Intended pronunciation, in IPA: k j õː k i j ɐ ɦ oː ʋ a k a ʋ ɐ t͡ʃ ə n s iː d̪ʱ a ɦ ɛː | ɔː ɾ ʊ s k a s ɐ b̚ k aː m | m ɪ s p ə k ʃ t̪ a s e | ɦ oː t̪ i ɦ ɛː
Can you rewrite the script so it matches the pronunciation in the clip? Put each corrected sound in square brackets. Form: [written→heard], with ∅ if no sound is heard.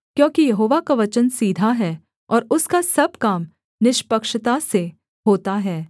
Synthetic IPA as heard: k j õː k i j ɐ ɦ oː ʋ a k a ʋ ɐ t͡ʃ ə n s iː d̪ʱ a ɦ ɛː | ɔː ɾ ʊ s k a s ɐ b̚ k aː m | [m→n] ɪ [s→ʃ] p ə k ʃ t̪ a s e | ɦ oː t̪ [i→a] ɦ ɛː